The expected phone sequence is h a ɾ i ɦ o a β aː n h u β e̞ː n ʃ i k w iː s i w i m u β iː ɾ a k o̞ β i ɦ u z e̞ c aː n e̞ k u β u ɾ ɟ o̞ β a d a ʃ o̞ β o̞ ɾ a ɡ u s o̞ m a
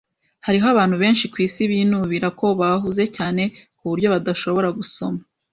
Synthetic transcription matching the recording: h a ɾ i ɦ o a β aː n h u β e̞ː n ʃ i k w iː s i β i n u β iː ɾ a k o̞ β a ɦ u z e̞ c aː n e̞ k u β u ɾ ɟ o̞ β a d a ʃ o̞ β o̞ ɾ a ɡ u s o̞ m a